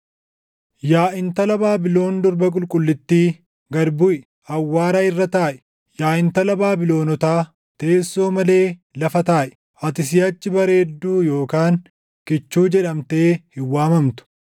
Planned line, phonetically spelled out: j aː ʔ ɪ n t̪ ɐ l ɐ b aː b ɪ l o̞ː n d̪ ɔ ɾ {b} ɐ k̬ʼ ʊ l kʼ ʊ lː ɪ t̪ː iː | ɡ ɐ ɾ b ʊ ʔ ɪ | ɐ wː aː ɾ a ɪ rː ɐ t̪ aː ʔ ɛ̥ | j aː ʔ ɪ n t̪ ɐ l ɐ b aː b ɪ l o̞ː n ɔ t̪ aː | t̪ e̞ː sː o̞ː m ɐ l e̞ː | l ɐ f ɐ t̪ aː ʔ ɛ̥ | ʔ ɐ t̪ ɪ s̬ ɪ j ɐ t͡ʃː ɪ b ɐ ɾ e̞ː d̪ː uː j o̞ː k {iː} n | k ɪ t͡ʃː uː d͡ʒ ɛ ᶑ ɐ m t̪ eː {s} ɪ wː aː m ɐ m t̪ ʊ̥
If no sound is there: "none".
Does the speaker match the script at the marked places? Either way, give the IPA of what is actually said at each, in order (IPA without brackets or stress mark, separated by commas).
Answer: b, aː, h